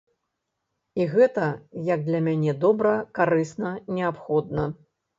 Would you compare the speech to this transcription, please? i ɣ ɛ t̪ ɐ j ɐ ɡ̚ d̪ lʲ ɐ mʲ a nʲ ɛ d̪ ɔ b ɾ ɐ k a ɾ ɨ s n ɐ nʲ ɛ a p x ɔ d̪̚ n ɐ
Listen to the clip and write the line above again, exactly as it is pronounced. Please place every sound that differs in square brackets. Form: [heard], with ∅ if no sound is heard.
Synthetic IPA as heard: i ɣ ɛ t̪ ɐ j ɐ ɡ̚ d̪ lʲ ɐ mʲ a nʲ ɛ d̪ ɔ b ɾ ɐ k a ɾ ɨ s n ɐ nʲ ɛ a p x ɔ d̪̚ n ɐ